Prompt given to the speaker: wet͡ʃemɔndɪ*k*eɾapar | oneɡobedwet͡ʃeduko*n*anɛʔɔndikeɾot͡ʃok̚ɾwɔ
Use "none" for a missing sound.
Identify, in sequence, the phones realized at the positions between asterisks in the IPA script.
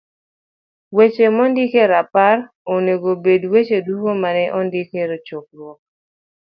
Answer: k, m

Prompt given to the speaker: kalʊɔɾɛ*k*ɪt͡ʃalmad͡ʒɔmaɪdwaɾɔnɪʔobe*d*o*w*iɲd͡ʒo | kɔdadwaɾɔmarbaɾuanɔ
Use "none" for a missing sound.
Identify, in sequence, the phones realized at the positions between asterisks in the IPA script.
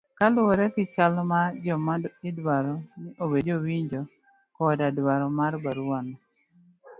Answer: k, d͡ʒ, w

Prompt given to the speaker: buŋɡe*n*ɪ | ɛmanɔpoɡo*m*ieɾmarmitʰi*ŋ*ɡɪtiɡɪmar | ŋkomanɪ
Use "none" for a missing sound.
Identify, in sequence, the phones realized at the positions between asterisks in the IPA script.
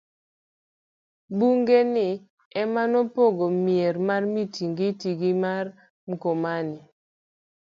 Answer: n, m, ŋ

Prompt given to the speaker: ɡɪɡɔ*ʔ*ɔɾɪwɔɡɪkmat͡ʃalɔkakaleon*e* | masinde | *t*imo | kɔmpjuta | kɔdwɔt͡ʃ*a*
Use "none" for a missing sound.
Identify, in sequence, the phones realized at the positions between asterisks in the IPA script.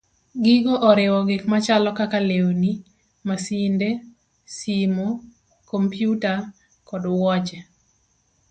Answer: ʔ, i, s, ɛ

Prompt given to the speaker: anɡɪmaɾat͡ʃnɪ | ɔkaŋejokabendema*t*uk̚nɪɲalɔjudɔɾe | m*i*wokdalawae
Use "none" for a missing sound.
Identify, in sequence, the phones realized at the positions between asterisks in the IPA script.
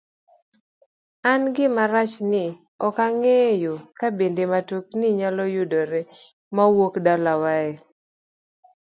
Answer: t, a

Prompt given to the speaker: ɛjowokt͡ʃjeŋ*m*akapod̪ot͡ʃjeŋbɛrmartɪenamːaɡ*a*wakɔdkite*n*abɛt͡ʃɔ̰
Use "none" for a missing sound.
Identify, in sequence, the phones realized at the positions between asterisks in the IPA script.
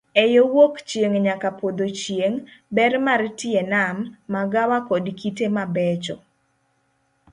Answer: ɲ, a, m

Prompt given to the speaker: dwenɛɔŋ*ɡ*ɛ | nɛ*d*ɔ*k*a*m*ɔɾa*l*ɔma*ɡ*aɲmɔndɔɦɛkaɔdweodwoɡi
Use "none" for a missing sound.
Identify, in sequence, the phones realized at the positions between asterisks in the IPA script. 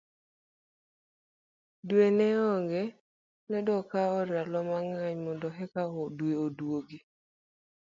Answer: ɡ, d, k, none, l, ŋ

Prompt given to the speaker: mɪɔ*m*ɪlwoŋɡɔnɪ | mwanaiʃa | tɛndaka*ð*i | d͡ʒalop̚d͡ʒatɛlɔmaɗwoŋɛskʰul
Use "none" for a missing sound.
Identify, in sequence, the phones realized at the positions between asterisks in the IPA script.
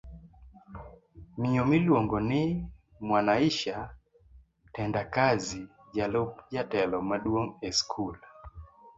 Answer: m, z

